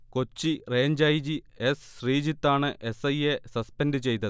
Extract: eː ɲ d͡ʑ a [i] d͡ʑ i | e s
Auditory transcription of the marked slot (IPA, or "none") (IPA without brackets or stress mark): j